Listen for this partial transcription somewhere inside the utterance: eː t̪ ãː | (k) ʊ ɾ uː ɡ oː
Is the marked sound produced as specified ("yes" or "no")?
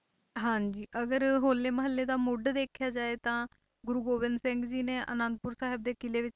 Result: no